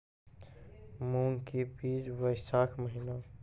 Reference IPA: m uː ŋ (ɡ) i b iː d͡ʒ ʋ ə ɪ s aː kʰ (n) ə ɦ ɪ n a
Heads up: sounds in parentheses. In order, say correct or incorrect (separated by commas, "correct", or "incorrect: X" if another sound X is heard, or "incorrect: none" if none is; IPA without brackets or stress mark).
incorrect: k, incorrect: m